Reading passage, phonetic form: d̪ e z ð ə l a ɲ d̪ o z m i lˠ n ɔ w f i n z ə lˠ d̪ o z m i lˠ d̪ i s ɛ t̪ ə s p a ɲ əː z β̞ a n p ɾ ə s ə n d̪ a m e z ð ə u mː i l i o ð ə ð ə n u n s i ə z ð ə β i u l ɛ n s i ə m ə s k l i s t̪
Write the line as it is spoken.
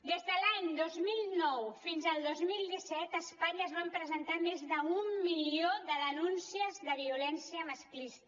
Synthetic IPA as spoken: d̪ e z ð ə l a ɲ d̪ o z m i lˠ n ɔ w f i n z ə lˠ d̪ o z m i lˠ d̪ i s ɛ t̪ ə s p a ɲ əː z β̞ a m p ɾ ə z ə n t̪ a m e z ð ə u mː i l i o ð ə ð ə n u n s i ə z ð ə β i u l ɛ n s i ə m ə s k l i s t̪